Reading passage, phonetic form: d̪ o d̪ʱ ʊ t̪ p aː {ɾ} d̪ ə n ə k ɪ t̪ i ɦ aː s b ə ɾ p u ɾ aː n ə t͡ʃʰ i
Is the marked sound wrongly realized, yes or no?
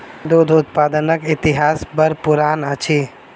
yes